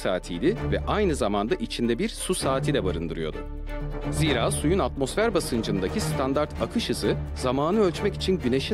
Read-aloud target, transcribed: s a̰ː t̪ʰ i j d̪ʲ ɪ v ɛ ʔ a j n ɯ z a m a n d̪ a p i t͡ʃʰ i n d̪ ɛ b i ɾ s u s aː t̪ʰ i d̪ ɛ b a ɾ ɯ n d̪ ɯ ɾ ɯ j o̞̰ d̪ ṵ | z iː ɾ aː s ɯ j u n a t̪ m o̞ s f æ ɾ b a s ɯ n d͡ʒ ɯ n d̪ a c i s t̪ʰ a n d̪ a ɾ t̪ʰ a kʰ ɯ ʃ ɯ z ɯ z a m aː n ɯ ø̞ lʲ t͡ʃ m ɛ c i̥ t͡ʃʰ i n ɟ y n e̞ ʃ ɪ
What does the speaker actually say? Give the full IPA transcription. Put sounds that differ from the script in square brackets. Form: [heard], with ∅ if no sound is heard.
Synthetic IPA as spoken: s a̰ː t̪ʰ i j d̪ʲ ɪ v ɛ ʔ a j n ɯ z a m a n d̪ a [ʔ] i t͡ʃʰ i n d̪ ɛ b i ɾ s u s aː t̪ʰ i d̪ ɛ b a ɾ ɯ n d̪ ɯ ɾ ɯ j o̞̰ d̪ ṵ | z iː ɾ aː s [u] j u n a t̪ m o̞ s f æ ɾ b a s ɯ n d͡ʒ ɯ n d̪ a c i s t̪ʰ a n d̪ a ɾ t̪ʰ a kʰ ɯ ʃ ɯ z ɯ z a m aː n ɯ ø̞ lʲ t͡ʃ m ɛ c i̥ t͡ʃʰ i n ɟ y n e̞ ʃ [i]